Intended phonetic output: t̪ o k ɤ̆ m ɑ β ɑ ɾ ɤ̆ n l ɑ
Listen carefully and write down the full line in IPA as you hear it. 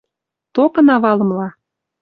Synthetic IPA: t̪ o k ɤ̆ n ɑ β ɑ l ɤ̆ m l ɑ